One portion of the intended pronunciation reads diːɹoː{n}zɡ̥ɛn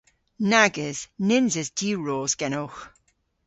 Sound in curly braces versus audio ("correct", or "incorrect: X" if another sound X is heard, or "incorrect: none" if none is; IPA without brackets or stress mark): incorrect: none